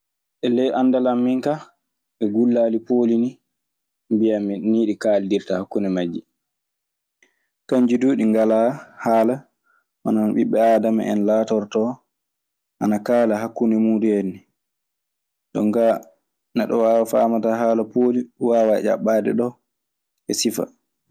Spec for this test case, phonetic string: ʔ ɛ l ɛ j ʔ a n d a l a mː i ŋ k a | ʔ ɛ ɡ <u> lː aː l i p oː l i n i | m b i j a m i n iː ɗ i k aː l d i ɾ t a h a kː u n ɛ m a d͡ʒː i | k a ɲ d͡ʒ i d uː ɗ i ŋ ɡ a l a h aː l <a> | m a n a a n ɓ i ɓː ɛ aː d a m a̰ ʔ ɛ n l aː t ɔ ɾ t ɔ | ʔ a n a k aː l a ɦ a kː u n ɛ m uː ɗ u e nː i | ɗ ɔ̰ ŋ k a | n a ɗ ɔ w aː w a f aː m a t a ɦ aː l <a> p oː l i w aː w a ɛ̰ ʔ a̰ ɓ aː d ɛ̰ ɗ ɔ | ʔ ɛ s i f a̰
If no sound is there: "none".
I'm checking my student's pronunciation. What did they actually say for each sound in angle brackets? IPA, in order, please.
u, a, a

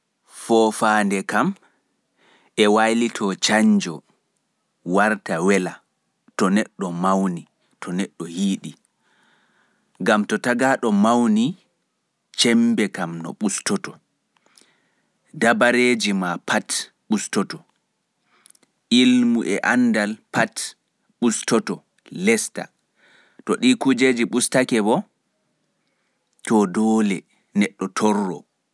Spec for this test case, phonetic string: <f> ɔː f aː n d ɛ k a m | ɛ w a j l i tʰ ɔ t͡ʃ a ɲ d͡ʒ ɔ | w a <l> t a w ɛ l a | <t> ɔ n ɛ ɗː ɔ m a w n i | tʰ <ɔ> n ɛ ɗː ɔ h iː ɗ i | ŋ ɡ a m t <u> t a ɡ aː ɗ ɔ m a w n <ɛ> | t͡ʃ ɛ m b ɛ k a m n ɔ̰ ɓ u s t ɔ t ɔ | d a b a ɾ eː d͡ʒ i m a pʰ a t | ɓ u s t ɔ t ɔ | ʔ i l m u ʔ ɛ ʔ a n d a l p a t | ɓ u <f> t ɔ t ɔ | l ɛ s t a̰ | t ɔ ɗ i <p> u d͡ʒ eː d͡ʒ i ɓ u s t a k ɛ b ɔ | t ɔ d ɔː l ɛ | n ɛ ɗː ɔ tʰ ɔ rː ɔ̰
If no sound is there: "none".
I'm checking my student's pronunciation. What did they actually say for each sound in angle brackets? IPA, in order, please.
f, ɾ, t, ɔ, ɔ, i, s, k

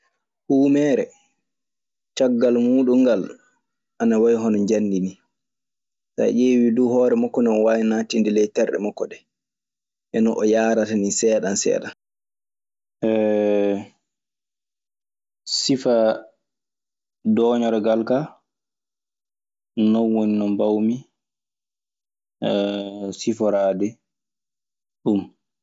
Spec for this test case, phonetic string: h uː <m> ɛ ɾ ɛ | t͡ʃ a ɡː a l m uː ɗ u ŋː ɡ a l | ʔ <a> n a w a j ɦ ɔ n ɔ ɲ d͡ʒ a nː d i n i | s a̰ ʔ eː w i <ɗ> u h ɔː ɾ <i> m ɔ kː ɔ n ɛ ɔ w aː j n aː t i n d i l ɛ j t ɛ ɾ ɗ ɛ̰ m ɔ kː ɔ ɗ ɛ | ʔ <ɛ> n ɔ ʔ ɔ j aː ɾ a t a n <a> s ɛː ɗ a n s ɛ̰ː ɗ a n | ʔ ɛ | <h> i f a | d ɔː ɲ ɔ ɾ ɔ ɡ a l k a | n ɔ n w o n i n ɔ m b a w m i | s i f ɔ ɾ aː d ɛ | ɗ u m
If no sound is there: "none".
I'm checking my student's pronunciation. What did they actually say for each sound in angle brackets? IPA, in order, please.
m, a, d, ɛ, ɛ, i, s

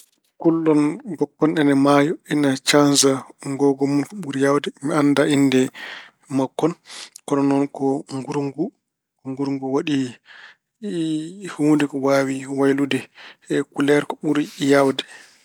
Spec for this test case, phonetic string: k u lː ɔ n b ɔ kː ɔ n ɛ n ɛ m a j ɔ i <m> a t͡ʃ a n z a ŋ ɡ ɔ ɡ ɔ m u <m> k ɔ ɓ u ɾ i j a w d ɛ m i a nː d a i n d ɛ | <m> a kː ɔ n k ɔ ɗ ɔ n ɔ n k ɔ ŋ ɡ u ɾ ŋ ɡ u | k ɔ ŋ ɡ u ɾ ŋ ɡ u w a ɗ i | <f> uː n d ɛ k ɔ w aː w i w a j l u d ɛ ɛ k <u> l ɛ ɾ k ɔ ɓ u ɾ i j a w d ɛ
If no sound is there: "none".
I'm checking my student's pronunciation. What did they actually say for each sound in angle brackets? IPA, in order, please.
n, n, m, h, u

